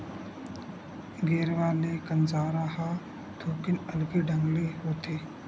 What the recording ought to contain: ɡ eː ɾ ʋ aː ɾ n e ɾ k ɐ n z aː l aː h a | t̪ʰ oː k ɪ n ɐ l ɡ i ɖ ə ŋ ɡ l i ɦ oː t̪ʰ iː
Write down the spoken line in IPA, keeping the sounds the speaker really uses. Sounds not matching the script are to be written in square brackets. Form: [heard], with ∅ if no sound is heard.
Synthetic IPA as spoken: ɡ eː ɾ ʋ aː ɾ n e [∅] k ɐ n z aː [ɾ] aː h a | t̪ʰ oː k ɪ n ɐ l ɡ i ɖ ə ŋ ɡ l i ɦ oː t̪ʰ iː